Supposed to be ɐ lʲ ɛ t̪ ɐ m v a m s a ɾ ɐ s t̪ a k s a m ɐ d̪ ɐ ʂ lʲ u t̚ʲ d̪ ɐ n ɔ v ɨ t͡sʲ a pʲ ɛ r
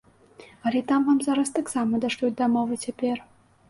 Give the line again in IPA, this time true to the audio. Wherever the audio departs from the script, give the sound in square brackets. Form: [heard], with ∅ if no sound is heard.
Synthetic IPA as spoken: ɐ lʲ ɛ t̪ [a] m v a m [z] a ɾ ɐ s t̪ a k s a m ɐ d̪ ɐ ʂ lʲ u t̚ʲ d̪ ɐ [m] ɔ v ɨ t͡sʲ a pʲ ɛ r